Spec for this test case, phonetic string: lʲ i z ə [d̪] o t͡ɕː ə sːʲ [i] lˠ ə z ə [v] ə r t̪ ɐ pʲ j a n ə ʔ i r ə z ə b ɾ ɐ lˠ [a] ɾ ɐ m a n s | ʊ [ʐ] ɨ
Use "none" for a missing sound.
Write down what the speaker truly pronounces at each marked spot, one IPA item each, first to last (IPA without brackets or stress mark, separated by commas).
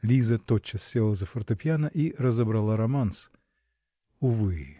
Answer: t̪, e, f, a, v